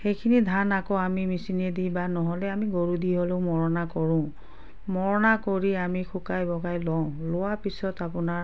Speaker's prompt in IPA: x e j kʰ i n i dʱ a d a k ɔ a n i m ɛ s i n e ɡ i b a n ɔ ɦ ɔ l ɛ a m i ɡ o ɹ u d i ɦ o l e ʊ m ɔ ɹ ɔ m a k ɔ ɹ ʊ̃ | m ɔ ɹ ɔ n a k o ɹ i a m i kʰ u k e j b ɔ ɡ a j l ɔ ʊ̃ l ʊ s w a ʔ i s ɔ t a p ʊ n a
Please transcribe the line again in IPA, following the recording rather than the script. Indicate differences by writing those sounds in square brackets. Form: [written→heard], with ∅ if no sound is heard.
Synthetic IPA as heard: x e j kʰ i n i dʱ a [d→n] a k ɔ a [n→m] i m [ɛ→i] s i n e [ɡ→d] i b a n ɔ ɦ ɔ l ɛ a m i ɡ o ɹ u d i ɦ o l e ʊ m ɔ ɹ ɔ [m→n] a k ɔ ɹ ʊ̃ | m ɔ ɹ ɔ n a k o ɹ i a m i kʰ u k [e→a] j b ɔ ɡ a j l ɔ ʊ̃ l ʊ [s→∅] w a [ʔ→p] i s ɔ t a p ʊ n a

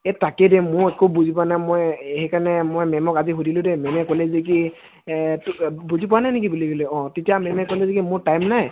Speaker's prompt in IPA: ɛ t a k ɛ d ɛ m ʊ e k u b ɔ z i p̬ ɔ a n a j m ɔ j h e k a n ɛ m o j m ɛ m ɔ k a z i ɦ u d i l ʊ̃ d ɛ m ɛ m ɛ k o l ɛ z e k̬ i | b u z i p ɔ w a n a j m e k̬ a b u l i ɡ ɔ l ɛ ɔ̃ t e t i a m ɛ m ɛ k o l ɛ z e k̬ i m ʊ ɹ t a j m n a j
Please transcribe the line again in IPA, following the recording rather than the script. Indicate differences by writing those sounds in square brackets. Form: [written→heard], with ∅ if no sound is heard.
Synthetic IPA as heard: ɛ t a k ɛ d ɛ m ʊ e k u b [ɔ→u] z i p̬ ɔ a n a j m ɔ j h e k a n ɛ m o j m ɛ m ɔ k a z i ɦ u d i l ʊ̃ d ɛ m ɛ m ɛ k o l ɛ z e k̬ i | b u z i p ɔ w a n a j [m→n] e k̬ [a→i] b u l i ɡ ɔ l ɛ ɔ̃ t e t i a m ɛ m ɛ k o l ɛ z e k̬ i m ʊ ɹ t a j m n a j

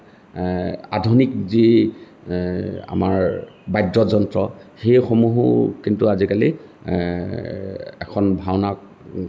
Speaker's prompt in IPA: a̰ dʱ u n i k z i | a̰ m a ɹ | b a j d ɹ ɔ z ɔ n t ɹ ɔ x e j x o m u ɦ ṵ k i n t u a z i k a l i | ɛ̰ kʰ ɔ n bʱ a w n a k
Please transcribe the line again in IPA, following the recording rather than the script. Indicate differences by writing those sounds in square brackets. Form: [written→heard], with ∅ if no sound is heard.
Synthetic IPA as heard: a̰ dʱ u n i k z i | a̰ m a ɹ | b a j d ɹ ɔ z ɔ n t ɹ ɔ x e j x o m u ɦ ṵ k i n t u a z i k a l i | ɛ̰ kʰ ɔ n bʱ a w n a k

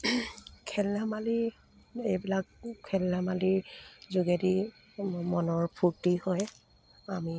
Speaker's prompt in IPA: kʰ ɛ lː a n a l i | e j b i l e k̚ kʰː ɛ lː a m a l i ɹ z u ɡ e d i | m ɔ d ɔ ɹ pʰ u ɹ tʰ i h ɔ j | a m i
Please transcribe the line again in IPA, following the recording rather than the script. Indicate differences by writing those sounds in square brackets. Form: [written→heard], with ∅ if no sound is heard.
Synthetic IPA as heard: kʰ ɛ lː a [n→m] a l i | e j b i l [e→a] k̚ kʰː ɛ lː a m a l i ɹ z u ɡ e d i | m ɔ [d→n] ɔ ɹ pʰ u ɹ [tʰ→t] i h ɔ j | a m i

